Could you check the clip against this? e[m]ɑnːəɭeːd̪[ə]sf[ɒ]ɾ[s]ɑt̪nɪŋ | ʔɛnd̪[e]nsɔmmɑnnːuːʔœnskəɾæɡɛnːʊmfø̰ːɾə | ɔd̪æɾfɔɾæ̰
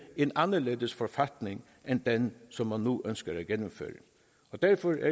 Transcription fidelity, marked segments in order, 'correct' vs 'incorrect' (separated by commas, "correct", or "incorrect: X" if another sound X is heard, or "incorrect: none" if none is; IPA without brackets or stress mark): incorrect: n, correct, incorrect: ɔ, incorrect: f, incorrect: ɛ